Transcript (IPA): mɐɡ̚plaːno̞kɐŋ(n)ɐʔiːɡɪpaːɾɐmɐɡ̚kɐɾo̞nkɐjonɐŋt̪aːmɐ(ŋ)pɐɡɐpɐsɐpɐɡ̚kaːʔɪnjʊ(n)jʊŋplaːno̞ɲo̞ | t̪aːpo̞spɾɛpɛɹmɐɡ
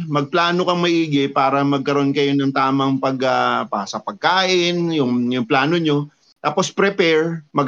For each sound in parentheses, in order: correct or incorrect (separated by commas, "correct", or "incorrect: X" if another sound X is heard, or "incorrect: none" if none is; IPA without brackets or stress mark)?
incorrect: m, correct, incorrect: ŋ